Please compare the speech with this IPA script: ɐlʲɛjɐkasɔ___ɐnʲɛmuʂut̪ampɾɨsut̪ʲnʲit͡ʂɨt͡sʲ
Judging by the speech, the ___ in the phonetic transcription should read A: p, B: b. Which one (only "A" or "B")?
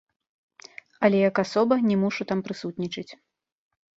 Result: B